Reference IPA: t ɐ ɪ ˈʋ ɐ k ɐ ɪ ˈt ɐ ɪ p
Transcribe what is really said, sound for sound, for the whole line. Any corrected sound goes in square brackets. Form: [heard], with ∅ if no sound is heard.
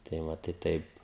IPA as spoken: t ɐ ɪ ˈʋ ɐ [t] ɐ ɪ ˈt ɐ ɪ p

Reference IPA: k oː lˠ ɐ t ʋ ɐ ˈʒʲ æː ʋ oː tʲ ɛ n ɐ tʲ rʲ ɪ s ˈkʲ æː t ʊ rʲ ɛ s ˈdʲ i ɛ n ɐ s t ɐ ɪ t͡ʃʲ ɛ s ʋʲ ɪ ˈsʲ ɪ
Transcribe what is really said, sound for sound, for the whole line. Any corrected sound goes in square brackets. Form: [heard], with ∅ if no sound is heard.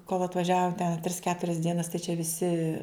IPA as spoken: k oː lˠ ɐ t ʋ ɐ ˈʒʲ æː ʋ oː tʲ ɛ n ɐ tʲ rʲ ɪ s ˈkʲ æː t ʊ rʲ ɛ s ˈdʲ i ɛ n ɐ s t ɐ ɪ t͡ʃʲ ɛ [∅] ʋʲ ɪ ˈsʲ ɪ

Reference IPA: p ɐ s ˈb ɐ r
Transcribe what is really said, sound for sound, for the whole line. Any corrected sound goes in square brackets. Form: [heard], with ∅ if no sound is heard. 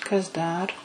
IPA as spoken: [k] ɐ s [ˈd] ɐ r

